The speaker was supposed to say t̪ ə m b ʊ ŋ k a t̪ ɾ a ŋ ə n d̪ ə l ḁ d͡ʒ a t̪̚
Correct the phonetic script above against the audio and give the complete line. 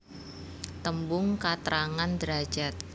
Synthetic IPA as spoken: t̪ ə m b ʊ ŋ k a t̪ ɾ a ŋ a n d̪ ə ɾ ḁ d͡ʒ a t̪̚